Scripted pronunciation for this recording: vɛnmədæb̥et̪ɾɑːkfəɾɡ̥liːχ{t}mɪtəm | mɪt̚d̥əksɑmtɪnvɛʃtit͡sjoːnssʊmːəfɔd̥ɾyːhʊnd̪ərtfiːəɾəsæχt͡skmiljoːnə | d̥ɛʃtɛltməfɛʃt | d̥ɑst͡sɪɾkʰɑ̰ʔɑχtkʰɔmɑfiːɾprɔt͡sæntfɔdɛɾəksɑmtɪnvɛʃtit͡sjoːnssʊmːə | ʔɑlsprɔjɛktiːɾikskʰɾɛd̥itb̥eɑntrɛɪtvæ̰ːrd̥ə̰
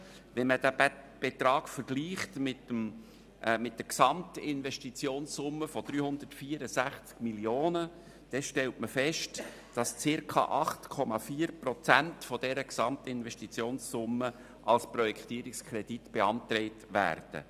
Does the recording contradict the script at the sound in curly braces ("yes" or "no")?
no